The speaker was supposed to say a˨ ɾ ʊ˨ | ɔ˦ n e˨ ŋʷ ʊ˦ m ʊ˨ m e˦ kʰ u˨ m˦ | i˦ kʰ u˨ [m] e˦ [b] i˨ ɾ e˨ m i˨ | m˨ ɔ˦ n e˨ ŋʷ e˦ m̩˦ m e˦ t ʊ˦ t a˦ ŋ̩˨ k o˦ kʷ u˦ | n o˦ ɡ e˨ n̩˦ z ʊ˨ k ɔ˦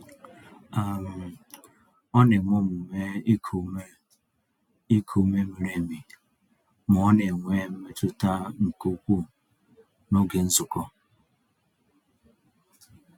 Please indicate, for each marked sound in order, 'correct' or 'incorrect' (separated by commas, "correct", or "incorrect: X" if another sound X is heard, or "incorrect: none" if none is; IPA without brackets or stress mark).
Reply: correct, incorrect: m